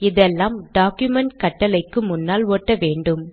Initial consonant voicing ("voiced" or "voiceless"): voiced